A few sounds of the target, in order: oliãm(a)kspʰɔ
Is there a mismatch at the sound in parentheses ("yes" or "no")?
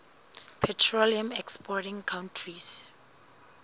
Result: yes